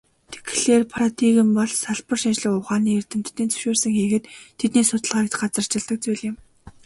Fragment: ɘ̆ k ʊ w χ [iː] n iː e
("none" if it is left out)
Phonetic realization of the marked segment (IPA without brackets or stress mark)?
aː